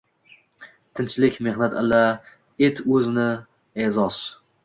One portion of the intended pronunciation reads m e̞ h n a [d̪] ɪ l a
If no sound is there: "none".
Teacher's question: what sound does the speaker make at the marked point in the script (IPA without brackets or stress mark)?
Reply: t̪